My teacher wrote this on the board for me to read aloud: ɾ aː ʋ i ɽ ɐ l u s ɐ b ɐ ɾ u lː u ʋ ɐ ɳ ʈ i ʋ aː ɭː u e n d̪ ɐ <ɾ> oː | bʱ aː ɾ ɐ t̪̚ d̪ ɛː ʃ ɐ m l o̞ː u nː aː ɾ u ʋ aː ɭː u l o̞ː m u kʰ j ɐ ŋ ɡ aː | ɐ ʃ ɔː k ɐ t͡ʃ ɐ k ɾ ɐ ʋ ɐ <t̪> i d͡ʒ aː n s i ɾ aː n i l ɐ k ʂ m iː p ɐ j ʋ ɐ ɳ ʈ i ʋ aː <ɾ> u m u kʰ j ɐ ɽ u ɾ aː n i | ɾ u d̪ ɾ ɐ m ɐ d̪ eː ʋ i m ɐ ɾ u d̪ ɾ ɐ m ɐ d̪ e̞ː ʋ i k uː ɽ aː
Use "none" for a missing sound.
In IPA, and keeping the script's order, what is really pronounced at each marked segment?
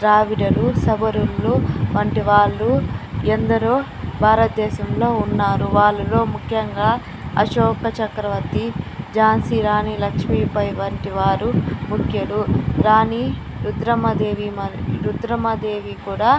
ɾ, t̪, ɾ

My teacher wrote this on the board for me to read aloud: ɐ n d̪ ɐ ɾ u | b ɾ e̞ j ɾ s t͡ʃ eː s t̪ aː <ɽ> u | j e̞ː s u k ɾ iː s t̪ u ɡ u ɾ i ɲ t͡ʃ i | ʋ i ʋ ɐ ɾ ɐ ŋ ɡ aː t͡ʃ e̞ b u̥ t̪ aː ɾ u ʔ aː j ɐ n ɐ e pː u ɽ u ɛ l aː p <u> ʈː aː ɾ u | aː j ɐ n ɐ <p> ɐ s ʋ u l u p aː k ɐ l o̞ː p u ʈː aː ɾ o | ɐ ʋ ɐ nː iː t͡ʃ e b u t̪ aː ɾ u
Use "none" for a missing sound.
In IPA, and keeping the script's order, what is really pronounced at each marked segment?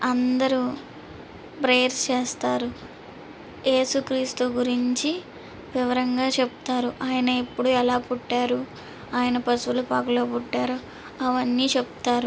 ɾ, u, p

